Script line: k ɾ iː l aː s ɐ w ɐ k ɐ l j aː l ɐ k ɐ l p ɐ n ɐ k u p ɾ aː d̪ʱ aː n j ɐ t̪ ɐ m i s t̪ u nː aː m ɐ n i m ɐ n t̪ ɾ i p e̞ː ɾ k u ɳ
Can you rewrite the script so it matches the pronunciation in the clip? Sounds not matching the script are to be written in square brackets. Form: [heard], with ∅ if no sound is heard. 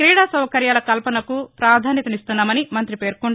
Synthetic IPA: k ɾ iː [ɽ] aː s ɐ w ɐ k ɐ [ɾ] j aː l ɐ k ɐ l p ɐ n ɐ k u p ɾ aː d̪ʱ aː n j ɐ t̪ ɐ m i s t̪ u nː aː m ɐ n i m ɐ n t̪ ɾ i p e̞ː ɾ k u ɳ